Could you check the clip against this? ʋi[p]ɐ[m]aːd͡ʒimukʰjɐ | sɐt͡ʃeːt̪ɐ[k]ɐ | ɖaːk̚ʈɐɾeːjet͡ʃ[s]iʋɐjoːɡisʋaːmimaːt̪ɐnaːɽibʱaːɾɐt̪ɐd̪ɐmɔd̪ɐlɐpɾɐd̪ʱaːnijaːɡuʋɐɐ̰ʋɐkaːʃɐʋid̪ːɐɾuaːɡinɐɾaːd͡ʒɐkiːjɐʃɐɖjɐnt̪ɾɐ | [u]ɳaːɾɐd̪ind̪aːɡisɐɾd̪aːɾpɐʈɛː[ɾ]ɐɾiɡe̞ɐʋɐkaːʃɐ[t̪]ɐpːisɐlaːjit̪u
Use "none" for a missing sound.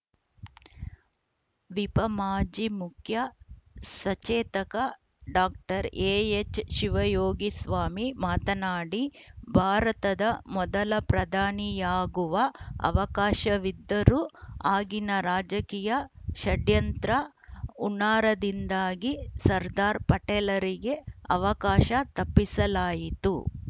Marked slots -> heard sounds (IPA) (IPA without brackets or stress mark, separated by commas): p, m, k, ʃ, u, l, t̪